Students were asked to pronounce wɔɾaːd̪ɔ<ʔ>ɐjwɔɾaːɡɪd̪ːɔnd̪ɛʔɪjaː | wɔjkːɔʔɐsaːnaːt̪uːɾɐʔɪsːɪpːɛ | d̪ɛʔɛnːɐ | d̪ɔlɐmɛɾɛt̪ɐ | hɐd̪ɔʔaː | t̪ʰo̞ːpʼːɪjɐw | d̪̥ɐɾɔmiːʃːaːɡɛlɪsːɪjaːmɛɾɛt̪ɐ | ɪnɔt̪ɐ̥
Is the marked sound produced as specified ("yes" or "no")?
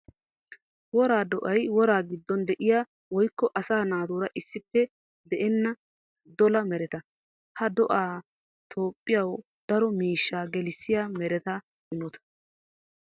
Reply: yes